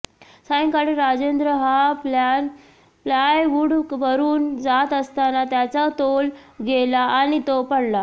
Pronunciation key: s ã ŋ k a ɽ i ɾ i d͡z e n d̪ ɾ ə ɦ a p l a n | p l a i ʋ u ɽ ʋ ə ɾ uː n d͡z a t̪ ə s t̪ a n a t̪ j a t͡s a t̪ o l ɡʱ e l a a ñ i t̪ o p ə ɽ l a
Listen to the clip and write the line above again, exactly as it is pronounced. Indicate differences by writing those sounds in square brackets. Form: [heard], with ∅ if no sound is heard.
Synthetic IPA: s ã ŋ k a ɽ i ɾ [a] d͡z e n d̪ ɾ ə ɦ a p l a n | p l a [j] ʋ u ɽ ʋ ə ɾ uː n d͡z a t̪ ə s t̪ a n a t̪ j a t͡s a t̪ o l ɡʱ e l a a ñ i t̪ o p ə ɽ l a